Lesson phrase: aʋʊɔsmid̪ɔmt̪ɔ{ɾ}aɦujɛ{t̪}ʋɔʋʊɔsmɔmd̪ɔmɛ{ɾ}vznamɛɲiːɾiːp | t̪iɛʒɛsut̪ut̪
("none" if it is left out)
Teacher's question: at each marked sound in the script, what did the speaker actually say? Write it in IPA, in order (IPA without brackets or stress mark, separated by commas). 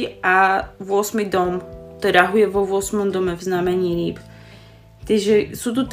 ɾ, none, none